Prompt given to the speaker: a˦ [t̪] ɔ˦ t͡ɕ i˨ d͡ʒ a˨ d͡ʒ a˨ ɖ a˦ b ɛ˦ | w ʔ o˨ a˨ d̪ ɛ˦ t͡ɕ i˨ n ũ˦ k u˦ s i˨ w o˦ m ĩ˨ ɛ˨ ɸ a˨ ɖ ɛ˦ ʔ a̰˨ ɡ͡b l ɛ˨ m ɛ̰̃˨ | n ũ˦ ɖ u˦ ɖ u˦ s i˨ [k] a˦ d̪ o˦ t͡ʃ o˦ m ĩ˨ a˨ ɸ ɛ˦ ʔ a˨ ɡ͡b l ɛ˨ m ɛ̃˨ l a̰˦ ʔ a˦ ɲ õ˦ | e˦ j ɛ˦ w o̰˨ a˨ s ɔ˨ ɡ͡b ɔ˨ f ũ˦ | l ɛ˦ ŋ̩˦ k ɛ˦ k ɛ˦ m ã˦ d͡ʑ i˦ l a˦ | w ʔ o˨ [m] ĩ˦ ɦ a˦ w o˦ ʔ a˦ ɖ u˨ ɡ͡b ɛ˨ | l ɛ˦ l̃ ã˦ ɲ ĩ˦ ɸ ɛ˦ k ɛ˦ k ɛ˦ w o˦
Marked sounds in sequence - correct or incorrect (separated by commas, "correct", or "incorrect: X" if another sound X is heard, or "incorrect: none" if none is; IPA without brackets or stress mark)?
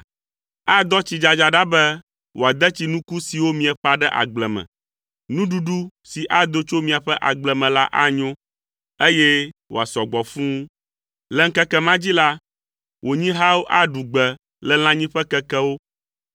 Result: incorrect: d̪, incorrect: ʔ, incorrect: ɲ